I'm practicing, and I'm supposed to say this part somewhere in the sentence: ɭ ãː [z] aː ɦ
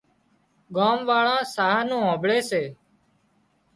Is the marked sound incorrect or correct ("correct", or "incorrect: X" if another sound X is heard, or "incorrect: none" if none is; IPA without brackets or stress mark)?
incorrect: s